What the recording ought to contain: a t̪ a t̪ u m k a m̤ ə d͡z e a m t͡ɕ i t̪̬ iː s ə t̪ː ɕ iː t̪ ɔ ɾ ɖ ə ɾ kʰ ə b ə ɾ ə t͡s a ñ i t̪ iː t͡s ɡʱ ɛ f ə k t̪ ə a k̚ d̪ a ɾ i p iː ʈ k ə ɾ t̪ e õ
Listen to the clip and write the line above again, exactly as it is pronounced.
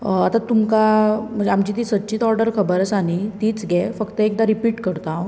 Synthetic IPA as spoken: a t̪ a t̪ u m k a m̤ ə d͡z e a m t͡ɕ i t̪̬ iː s ə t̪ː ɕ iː t̪ ɔ ɾ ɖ ə ɾ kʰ ə b ə ɾ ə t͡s a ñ i t̪ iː t͡s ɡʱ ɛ f ə k t̪ ə e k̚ d̪ a ɾ i p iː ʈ k ə ɾ t̪ a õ